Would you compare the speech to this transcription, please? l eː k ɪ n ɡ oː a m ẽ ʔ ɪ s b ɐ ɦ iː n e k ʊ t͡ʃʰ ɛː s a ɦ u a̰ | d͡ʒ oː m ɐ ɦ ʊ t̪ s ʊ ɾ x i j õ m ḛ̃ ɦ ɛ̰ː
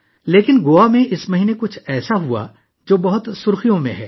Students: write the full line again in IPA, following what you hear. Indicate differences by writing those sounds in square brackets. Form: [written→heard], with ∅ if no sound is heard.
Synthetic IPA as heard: l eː k ɪ n ɡ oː a m ẽ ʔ ɪ s [b→m] ɐ ɦ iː n e k ʊ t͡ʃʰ ɛː s a ɦ u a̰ | d͡ʒ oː [m→b] ɐ ɦ ʊ t̪ s ʊ ɾ x i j õ m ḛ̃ ɦ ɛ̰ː